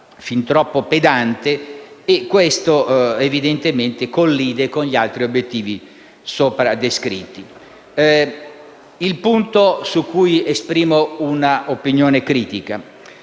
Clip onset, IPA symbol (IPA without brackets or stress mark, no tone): f